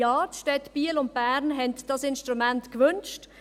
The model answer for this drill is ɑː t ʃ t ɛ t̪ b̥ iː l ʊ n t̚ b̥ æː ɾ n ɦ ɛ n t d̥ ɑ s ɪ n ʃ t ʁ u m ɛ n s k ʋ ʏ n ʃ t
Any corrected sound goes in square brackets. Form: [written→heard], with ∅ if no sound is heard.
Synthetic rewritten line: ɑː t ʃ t ɛ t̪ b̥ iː l ʊ n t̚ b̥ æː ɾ n ɦ ɛ n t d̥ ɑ s ɪ n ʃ t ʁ u m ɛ n [s→t] k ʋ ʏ n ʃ t